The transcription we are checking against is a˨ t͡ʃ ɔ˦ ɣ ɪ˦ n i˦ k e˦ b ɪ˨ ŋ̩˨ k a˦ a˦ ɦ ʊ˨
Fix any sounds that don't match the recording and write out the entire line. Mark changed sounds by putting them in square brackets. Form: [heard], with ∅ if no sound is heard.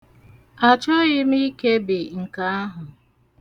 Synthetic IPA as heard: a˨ t͡ʃ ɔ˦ ɣ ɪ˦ [m] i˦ k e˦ b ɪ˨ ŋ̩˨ k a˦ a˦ ɦ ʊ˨